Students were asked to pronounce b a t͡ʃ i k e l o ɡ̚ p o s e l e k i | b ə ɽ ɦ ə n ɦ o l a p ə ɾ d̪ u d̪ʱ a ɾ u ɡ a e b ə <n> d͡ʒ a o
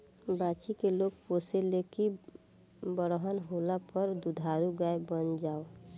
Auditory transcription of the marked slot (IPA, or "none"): n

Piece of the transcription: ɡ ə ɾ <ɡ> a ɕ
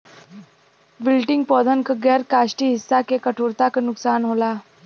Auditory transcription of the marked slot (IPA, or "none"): k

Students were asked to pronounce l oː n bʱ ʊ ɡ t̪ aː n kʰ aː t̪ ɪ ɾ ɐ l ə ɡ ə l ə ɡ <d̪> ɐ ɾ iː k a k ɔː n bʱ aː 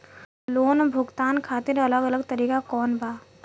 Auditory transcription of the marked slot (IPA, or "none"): t̪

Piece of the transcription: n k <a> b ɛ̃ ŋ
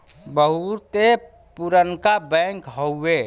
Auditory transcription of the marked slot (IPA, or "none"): a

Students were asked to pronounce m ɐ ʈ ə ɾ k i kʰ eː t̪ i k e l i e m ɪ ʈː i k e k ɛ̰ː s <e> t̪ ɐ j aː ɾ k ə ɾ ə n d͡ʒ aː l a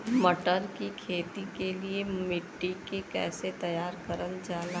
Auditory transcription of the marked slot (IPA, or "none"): e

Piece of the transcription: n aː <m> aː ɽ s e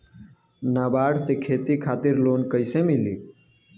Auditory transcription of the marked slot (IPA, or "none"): b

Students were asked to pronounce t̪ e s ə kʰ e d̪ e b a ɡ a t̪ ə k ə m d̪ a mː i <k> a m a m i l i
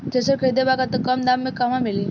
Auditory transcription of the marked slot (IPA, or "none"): k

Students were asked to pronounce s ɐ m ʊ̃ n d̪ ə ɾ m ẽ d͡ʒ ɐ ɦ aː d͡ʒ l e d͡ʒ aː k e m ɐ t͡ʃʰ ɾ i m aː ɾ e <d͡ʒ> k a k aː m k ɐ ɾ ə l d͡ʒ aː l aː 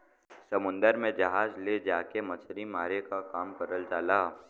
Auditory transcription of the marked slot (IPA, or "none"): none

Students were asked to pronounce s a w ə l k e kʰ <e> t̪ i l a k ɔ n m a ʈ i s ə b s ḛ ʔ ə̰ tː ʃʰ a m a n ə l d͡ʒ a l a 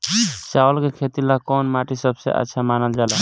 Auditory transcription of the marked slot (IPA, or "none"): e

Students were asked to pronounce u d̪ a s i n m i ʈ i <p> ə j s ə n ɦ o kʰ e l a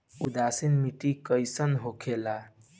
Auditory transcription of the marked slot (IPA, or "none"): k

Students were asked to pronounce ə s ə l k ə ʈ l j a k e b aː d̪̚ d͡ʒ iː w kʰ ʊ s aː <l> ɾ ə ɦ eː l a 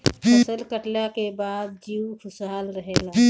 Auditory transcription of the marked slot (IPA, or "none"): l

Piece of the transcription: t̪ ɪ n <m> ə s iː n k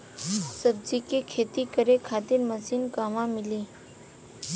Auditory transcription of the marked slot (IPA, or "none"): m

